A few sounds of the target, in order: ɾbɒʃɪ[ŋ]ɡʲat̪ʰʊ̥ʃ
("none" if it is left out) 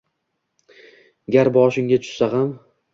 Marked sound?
ŋ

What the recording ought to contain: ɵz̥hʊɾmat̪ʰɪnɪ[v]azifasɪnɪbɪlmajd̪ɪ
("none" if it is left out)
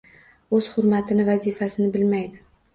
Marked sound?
v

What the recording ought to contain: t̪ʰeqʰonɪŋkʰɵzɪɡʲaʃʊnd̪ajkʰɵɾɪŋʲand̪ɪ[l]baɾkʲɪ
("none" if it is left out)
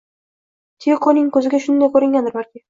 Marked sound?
ɾ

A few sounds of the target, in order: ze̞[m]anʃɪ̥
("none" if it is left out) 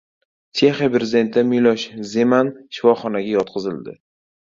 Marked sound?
m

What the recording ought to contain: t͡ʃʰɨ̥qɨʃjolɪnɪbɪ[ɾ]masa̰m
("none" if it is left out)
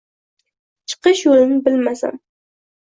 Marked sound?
l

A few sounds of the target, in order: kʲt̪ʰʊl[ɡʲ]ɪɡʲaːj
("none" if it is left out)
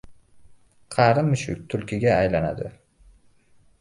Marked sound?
kʲ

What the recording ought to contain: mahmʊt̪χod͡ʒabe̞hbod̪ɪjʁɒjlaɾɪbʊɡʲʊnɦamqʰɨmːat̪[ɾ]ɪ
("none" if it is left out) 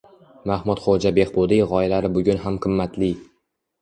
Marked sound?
l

